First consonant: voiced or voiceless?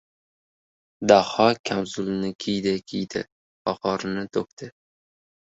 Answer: voiced